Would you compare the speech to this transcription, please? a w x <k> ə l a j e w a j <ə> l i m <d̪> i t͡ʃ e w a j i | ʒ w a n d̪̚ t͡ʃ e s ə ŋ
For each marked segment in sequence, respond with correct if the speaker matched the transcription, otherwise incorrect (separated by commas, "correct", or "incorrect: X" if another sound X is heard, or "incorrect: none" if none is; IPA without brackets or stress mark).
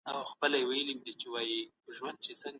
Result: incorrect: p, correct, correct